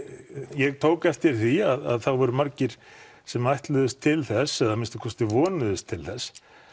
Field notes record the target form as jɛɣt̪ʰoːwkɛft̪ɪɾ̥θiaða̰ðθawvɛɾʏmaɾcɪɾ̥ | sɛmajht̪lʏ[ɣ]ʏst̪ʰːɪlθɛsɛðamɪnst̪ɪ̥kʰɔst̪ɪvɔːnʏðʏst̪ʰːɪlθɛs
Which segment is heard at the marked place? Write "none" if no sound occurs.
ð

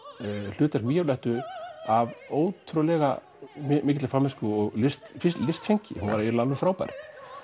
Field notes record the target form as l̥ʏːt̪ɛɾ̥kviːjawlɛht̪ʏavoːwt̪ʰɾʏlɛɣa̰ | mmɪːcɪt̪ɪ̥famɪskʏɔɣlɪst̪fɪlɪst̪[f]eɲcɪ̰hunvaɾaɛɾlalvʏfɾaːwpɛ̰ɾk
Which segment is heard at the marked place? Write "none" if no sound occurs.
f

